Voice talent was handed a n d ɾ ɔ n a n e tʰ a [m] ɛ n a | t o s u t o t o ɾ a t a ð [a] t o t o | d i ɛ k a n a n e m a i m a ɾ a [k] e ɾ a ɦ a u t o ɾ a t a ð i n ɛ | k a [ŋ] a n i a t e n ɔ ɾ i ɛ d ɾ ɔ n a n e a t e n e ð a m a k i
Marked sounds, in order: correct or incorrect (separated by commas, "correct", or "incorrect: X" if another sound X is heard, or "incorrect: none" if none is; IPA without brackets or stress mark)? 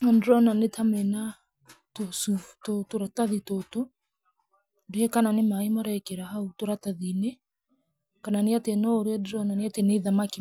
correct, incorrect: i, correct, incorrect: n